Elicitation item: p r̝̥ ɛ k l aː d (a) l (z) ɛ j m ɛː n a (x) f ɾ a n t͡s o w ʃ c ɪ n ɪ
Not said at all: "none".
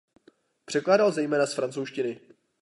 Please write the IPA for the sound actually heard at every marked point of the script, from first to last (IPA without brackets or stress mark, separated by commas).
a, z, s